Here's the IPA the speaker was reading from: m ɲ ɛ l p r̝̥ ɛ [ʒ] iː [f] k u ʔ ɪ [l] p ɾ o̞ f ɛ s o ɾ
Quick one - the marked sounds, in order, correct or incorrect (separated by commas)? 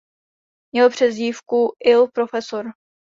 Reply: incorrect, correct, correct